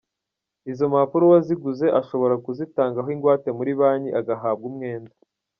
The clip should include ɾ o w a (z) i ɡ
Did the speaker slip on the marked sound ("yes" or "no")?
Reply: no